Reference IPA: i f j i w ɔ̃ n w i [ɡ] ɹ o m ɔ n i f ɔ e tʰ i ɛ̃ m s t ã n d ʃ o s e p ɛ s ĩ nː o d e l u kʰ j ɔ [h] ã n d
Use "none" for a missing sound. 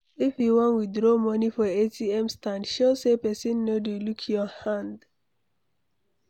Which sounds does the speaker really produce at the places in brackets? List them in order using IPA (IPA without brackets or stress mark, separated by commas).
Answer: d, h